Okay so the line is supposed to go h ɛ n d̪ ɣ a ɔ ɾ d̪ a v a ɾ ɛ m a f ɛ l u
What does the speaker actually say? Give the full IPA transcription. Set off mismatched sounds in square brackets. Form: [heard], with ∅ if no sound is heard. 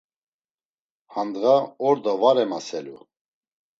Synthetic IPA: h [a] n d̪ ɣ a ɔ ɾ d̪ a v a ɾ ɛ m a [s] ɛ l u

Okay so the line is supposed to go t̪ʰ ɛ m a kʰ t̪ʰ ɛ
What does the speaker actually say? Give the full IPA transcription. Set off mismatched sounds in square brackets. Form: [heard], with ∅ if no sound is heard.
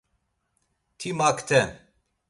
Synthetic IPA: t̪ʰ [i] m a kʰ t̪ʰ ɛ

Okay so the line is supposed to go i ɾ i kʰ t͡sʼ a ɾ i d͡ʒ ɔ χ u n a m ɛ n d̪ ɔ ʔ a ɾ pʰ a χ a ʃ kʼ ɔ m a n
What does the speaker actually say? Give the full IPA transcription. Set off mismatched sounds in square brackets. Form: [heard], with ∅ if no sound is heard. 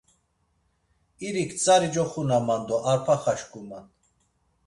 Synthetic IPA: i ɾ i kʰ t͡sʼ a ɾ i d͡ʒ ɔ χ u n a m [a] n d̪ ɔ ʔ a ɾ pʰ a χ a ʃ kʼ [u] m a n

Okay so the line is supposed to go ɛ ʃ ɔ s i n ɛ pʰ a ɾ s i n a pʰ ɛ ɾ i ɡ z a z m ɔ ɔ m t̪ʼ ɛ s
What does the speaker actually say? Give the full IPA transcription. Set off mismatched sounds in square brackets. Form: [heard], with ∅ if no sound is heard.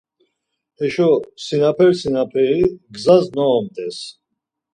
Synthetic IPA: ɛ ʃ ɔ s i n [a] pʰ [ɛ] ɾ s i n a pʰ ɛ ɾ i ɡ z a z [n] ɔ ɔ m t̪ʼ ɛ s

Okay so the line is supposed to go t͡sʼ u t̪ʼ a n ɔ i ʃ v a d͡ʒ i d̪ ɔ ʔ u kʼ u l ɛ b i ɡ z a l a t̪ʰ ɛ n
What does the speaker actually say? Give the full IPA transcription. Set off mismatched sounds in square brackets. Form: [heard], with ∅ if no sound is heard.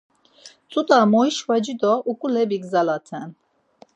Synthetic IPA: t͡sʼ u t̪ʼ a [m] ɔ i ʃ v a d͡ʒ i d̪ ɔ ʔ u kʼ u l ɛ b i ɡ z a l a t̪ʰ ɛ n

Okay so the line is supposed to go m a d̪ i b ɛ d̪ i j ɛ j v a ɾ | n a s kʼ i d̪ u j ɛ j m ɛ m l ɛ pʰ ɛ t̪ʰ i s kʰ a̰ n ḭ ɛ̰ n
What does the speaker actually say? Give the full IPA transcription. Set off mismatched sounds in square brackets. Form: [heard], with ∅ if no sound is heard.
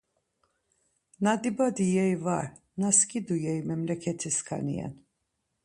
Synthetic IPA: [n] a d̪ i b [a] d̪ i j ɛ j v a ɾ | n a s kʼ i d̪ u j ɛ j m ɛ m l ɛ [kʰ] ɛ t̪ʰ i s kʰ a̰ n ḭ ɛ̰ n

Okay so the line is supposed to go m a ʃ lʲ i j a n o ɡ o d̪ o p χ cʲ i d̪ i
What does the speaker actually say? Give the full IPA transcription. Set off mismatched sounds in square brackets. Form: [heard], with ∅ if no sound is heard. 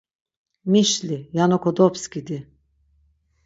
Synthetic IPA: m [i] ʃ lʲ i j a n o [k] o d̪ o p [s] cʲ i d̪ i

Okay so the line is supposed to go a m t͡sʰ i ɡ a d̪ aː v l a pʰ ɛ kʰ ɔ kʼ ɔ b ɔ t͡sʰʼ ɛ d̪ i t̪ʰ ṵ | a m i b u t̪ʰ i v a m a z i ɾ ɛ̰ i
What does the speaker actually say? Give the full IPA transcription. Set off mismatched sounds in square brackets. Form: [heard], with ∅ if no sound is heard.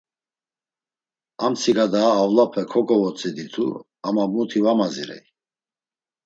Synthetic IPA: a m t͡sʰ i ɡ a d̪ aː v l a pʰ ɛ kʰ ɔ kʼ ɔ [v] ɔ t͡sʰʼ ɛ d̪ i t̪ʰ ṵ | a m [a] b u t̪ʰ i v a m a z i ɾ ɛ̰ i

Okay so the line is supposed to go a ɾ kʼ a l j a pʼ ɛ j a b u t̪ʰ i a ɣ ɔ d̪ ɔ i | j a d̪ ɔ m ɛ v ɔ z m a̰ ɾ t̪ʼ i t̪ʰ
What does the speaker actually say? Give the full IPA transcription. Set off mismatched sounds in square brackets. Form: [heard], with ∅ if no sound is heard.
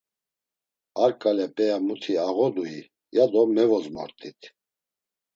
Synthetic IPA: a ɾ kʼ a l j a pʼ ɛ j a [m] u t̪ʰ i a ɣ ɔ d̪ [u] i | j a d̪ ɔ m ɛ v ɔ z m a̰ ɾ t̪ʼ i t̪ʰ

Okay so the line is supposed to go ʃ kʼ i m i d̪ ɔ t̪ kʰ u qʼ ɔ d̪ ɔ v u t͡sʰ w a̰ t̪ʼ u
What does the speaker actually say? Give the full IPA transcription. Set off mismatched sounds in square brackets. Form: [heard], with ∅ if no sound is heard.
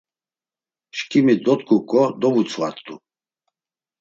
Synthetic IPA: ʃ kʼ i m i d̪ ɔ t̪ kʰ u [kʼ] ɔ d̪ ɔ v u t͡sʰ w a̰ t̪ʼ u

